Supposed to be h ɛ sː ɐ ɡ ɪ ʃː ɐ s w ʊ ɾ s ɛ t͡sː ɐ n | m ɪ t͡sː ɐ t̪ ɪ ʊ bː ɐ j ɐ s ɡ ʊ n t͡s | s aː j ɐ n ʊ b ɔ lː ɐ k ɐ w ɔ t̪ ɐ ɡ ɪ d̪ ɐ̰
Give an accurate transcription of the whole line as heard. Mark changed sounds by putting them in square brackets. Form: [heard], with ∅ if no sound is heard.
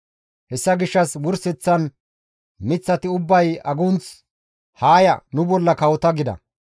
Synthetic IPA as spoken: h ɛ sː ɐ ɡ ɪ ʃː ɐ s w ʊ ɾ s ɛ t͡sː ɐ n | m ɪ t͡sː ɐ t̪ ɪ ʊ bː ɐ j ɐ [∅] ɡ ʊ n t͡s | [h] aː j ɐ n ʊ b ɔ lː ɐ k ɐ w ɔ t̪ ɐ ɡ ɪ d̪ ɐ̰